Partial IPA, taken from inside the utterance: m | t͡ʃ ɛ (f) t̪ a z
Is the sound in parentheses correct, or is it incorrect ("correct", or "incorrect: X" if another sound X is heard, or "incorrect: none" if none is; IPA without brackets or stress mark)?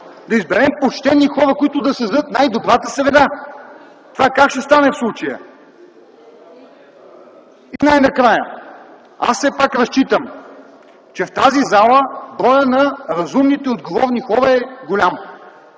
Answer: correct